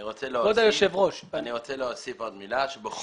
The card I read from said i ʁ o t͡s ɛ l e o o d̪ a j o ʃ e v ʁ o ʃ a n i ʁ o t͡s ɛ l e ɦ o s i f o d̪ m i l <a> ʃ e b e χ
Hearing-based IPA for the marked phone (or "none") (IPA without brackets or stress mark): a